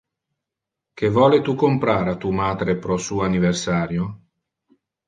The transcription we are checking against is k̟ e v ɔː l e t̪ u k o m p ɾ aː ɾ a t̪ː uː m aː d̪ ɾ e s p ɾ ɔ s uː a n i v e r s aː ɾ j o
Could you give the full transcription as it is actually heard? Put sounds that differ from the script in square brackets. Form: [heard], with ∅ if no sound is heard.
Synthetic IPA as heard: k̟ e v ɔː l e t̪ u k o m p ɾ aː ɾ a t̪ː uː m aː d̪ ɾ e [∅] p ɾ ɔ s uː a n i v e r s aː ɾ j o